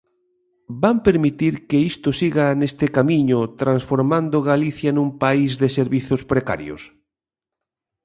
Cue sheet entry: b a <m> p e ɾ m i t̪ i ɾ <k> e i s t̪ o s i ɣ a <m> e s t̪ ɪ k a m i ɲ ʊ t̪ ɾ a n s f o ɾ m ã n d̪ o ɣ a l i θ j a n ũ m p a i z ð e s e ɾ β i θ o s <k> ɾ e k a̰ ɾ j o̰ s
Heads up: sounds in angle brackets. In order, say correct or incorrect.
correct, correct, incorrect: n, incorrect: p

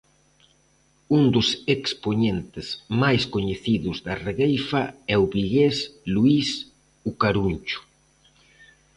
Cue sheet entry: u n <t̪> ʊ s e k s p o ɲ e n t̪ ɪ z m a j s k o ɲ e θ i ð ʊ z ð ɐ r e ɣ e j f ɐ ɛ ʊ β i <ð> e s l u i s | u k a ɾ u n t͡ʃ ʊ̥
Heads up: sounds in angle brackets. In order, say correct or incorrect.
incorrect: d̪, incorrect: ɣ

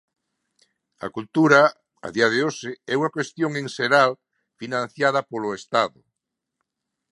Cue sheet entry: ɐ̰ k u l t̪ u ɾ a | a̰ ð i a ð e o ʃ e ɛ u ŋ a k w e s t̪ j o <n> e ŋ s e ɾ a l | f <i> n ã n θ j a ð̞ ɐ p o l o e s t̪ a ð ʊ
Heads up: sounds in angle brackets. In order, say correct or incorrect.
incorrect: ŋ, correct

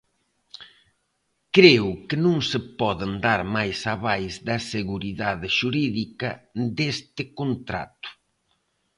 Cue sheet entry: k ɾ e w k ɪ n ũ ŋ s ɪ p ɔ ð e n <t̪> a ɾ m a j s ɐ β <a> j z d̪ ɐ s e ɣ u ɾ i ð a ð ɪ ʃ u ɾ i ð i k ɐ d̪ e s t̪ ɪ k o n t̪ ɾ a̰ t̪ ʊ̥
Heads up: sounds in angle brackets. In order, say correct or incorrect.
incorrect: d̪, correct

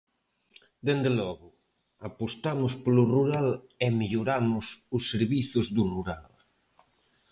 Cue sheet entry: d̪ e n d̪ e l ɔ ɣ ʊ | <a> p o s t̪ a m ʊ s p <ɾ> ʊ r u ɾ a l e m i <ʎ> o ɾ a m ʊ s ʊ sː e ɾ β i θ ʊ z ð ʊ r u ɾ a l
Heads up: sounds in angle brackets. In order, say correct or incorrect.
correct, incorrect: l, correct

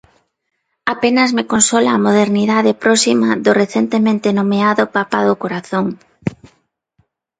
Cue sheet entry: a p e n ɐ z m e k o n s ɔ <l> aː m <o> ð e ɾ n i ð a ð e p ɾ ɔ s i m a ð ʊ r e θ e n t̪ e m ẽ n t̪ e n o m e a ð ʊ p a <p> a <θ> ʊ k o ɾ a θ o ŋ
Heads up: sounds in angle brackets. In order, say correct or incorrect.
correct, correct, correct, incorrect: ð

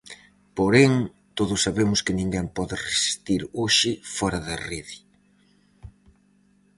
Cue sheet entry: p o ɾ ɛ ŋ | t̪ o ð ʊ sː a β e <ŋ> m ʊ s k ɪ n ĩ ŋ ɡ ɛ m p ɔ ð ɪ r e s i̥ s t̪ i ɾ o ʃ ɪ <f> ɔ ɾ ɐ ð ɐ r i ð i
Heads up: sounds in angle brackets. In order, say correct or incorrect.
incorrect: none, correct

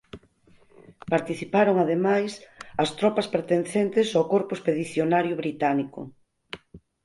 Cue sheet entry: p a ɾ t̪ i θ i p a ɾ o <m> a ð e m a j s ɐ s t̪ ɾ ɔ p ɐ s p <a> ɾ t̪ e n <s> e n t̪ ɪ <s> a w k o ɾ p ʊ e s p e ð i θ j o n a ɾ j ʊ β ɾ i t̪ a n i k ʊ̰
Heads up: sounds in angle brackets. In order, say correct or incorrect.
incorrect: ŋ, incorrect: e, incorrect: θ, correct

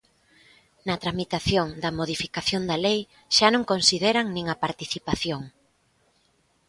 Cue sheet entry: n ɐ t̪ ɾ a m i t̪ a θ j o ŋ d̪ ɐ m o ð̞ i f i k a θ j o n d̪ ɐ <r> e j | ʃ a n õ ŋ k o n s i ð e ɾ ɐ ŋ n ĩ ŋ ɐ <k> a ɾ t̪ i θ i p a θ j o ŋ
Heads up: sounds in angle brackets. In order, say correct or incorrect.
incorrect: l, incorrect: p

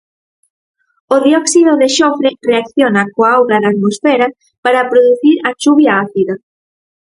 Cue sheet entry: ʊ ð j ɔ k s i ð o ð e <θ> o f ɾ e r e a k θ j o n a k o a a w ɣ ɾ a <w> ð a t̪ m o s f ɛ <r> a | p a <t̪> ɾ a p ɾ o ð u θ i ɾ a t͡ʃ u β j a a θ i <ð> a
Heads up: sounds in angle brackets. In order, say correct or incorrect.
incorrect: ʃ, incorrect: none, incorrect: ɾ, incorrect: none, correct

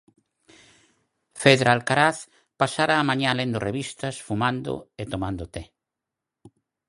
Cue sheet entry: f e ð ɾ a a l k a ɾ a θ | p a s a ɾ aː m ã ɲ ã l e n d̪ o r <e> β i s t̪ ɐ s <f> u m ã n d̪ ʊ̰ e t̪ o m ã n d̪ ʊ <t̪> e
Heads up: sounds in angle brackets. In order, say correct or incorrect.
correct, correct, correct

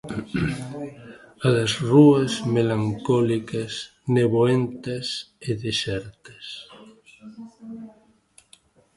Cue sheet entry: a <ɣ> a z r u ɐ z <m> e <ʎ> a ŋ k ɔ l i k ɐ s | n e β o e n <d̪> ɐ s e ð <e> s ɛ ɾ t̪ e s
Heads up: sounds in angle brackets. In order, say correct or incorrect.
incorrect: ð, correct, incorrect: l, incorrect: t̪, correct

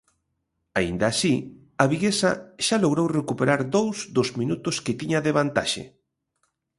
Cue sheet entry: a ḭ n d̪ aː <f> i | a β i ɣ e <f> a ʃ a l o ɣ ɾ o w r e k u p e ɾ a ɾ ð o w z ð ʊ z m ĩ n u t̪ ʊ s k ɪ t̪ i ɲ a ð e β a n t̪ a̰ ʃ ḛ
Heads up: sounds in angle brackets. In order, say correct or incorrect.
incorrect: s, incorrect: s

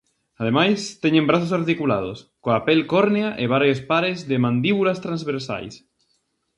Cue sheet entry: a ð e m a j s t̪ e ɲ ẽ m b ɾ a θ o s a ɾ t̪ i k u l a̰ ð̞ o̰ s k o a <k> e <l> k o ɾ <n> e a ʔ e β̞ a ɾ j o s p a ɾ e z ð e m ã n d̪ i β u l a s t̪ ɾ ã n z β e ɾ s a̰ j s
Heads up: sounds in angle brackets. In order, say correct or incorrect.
incorrect: p, correct, correct

